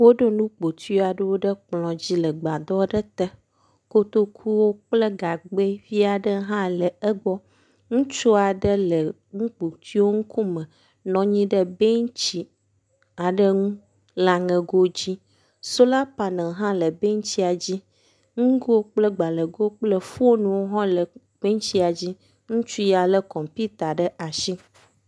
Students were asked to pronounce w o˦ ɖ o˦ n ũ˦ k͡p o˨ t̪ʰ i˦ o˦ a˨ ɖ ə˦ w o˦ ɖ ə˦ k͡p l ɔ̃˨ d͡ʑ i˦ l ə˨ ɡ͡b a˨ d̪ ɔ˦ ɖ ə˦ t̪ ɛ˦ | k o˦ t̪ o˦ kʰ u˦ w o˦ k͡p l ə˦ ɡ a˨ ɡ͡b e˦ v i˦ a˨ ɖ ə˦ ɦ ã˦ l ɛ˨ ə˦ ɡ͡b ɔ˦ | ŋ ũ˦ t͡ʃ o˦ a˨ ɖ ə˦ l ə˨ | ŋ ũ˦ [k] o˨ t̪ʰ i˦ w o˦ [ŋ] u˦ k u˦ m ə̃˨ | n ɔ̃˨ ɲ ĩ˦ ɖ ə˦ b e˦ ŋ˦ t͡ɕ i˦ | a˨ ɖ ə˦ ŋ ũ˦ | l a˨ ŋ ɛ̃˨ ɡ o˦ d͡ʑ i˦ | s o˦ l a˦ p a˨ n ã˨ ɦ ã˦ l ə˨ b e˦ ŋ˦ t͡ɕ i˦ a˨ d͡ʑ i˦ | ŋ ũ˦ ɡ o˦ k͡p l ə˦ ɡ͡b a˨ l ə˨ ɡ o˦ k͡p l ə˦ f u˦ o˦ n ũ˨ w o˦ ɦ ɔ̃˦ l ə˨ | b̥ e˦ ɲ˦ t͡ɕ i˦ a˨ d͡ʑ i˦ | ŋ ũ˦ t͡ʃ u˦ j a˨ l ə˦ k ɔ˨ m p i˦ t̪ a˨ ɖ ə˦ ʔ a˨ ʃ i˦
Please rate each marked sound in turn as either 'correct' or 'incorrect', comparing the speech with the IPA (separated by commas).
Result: incorrect, correct